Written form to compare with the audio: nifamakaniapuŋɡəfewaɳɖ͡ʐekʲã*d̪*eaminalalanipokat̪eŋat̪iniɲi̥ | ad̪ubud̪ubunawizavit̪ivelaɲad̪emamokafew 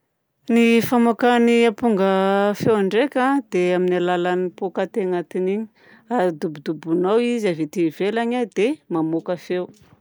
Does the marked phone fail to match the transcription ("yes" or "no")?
no